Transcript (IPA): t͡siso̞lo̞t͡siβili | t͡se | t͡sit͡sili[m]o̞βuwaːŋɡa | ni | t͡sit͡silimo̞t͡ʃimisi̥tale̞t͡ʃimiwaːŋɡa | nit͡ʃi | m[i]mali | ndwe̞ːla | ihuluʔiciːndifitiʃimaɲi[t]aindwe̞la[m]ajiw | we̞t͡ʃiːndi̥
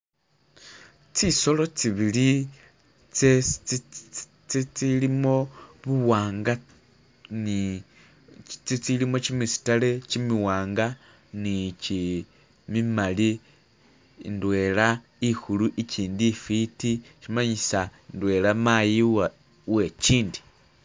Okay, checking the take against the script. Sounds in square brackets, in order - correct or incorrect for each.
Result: correct, correct, incorrect, correct

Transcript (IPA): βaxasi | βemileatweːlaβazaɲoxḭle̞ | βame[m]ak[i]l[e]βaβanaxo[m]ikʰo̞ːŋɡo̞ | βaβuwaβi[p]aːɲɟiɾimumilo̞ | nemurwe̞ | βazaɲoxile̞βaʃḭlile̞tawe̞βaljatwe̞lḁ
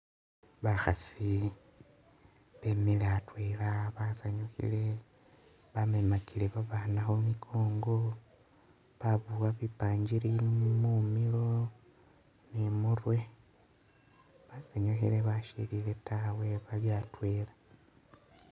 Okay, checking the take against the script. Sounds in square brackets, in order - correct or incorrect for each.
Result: correct, correct, correct, correct, correct

